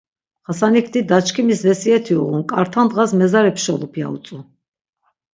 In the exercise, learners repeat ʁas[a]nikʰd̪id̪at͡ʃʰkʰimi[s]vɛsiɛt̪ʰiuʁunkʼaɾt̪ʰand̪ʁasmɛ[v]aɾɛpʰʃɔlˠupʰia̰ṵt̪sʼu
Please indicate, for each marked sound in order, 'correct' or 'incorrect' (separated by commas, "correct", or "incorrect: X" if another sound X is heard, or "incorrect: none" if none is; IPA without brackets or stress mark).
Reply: correct, correct, incorrect: z